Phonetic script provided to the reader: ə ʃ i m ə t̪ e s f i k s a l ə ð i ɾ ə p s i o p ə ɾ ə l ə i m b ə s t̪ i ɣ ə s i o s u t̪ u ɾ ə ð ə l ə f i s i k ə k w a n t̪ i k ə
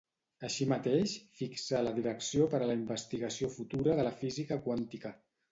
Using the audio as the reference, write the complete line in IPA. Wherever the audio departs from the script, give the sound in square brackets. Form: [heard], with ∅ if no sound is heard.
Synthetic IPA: ə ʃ i m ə t̪ e [ʃ] f i k s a l ə ð i ɾ ə [k] s i o p ə ɾ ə l ə i m b ə s t̪ i ɣ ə s i o [f] u t̪ u ɾ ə ð ə l ə f i [z] i k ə k w a n t̪ i k ə